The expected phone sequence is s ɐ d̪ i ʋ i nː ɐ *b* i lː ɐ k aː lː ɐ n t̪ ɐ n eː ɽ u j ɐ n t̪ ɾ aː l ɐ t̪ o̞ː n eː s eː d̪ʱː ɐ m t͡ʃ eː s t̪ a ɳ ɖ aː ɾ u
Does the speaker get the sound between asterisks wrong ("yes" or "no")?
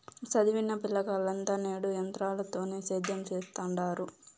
yes